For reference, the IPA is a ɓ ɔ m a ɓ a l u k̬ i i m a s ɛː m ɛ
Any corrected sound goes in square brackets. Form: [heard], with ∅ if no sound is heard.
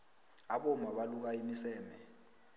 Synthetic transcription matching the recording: a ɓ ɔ m a ɓ a l u k̬ [a] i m [i] s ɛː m ɛ

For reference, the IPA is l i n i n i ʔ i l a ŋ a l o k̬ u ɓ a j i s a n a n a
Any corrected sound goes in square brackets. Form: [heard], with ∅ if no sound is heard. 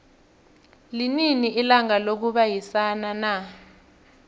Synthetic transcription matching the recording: l i n i n i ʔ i l a ŋ a l o k̬ u ɓ a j i s a n a n a

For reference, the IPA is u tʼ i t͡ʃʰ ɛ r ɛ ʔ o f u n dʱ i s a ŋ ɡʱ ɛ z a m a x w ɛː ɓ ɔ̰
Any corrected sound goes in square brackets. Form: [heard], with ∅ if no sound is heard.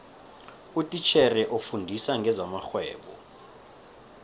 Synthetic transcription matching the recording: u tʼ i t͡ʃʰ ɛ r ɛ ʔ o f u n dʱ i s a ŋ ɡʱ ɛ z a m a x w ɛː ɓ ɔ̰

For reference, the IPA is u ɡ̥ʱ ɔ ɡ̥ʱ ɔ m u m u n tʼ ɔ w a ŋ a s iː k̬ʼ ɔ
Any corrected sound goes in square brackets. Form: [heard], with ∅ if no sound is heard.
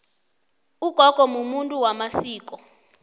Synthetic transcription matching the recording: u ɡ̥ʱ ɔ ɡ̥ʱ ɔ m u m u n tʼ [u] w a [m] a s iː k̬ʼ ɔ

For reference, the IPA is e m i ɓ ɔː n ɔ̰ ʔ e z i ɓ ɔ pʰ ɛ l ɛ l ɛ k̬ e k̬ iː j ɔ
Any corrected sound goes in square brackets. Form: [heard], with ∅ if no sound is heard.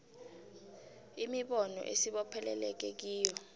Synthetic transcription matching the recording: [i] m i ɓ [ɔ] n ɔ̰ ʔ e [s] i ɓ ɔ pʰ ɛ l ɛ l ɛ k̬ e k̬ iː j ɔ

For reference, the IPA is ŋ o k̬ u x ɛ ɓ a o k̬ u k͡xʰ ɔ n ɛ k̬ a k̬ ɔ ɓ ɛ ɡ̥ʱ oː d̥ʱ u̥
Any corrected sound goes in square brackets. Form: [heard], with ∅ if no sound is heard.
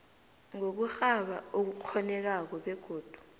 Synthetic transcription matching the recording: ŋ o k̬ u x [a] ɓ a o k̬ u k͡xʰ ɔ n ɛ k̬ a k̬ ɔ ɓ ɛ ɡ̥ʱ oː d̥ʱ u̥

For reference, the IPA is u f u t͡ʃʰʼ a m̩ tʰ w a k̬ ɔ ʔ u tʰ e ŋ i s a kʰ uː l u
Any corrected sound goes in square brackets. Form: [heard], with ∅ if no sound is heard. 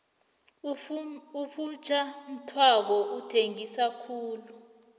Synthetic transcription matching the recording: u f u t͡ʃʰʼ a m̩ tʰ w a k̬ ɔ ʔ u tʰ e ŋ i s a kʰ uː l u

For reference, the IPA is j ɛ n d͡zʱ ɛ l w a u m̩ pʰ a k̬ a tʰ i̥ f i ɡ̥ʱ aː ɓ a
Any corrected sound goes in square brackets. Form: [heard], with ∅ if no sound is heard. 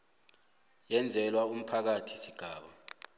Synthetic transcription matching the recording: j ɛ n d͡zʱ ɛ l w a u m̩ pʰ a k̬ a tʰ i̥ [s] i ɡ̥ʱ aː ɓ a

